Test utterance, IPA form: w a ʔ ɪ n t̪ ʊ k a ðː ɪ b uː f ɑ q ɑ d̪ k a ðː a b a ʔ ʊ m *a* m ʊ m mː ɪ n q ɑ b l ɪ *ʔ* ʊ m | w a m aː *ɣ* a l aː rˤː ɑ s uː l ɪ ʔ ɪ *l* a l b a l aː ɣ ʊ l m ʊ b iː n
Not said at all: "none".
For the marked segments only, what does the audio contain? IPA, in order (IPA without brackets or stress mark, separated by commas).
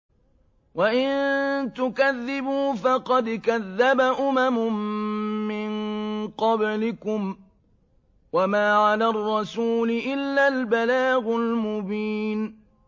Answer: a, k, ʕ, lː